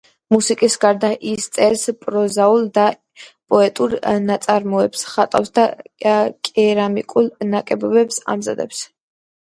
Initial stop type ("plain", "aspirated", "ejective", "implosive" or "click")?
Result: ejective